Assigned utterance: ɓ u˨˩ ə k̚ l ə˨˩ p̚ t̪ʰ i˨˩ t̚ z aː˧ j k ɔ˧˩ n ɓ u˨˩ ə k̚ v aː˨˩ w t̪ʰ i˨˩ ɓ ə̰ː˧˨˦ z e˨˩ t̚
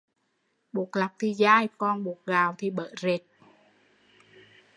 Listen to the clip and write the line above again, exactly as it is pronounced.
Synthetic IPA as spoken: ɓ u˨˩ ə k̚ l a˨˩ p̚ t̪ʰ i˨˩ z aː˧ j k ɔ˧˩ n ɓ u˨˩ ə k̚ ɣ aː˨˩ w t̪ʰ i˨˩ ɓ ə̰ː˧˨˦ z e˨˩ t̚